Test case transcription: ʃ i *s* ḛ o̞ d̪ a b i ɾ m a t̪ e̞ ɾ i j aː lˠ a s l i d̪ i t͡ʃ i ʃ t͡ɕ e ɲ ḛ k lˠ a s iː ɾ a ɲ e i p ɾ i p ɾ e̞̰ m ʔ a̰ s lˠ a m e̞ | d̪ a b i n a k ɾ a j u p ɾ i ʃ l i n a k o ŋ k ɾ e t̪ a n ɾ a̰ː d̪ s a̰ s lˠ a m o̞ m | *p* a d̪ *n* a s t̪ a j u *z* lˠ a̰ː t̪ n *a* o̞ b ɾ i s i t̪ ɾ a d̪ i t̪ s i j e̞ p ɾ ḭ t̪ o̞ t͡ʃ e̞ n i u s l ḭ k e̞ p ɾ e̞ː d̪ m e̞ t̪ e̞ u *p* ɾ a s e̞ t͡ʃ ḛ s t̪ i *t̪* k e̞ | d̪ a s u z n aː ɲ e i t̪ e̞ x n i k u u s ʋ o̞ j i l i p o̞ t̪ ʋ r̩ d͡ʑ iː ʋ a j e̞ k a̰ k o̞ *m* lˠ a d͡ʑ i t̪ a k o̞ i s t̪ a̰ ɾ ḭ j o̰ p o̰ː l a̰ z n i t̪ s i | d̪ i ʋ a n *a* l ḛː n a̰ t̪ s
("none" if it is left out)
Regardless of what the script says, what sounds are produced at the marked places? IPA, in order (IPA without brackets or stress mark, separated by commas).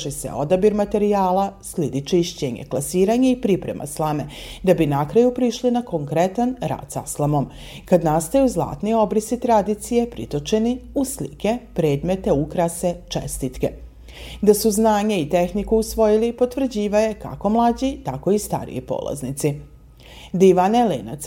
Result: s, k, n, z, i, k, t̪, m, e